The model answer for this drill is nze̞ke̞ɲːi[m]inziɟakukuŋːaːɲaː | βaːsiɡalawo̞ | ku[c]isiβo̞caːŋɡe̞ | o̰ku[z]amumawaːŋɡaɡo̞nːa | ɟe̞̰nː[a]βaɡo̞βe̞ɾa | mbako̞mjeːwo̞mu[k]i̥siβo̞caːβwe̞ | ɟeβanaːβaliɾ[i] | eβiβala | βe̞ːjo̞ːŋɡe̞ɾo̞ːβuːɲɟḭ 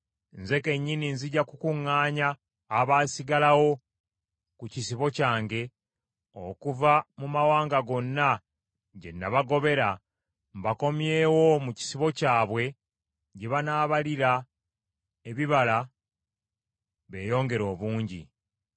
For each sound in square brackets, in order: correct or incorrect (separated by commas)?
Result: incorrect, correct, incorrect, correct, incorrect, incorrect